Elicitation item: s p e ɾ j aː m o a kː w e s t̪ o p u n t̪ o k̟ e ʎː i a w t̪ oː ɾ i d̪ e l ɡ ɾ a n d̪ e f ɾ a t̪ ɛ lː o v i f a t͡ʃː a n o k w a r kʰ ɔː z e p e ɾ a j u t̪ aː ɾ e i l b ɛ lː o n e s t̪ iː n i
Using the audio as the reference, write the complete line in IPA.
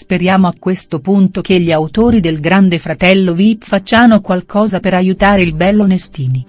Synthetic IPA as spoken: s p e ɾ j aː m o a kː w e s t̪ o p u n t̪ o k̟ e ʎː i a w t̪ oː ɾ i d̪ e l ɡ ɾ a n d̪ e f ɾ a t̪ ɛ lː o v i f a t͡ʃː a n o k w a l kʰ ɔː z a p e ɾ a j u t̪ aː ɾ e i l b ɛ lː o n e s t̪ iː n i